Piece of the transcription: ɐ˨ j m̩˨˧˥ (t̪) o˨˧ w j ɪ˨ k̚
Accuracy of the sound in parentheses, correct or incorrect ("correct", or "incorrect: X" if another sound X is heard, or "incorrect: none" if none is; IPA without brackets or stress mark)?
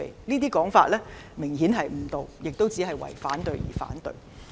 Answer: correct